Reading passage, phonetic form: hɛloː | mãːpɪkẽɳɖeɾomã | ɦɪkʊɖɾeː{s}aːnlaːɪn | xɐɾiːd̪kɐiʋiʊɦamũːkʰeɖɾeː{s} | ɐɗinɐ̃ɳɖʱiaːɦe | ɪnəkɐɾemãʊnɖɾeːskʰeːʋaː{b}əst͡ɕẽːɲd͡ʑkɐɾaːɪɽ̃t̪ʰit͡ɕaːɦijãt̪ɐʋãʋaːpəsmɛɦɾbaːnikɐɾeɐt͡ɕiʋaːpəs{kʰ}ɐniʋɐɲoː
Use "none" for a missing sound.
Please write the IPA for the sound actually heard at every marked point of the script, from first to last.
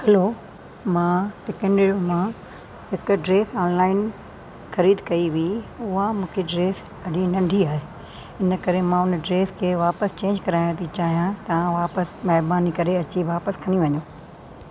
s, s, p, kʰ

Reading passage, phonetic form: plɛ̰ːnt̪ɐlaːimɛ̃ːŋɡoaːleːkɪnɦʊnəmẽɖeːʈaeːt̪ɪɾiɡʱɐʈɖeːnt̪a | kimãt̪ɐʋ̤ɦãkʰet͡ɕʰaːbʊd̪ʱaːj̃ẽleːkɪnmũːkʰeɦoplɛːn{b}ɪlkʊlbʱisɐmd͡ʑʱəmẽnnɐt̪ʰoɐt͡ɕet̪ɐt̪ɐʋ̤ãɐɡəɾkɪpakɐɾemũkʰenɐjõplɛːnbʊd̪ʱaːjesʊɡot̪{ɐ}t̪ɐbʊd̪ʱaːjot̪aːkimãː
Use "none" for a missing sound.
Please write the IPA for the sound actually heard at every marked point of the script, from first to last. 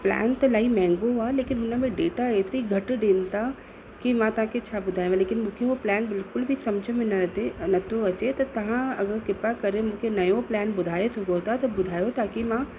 b, a

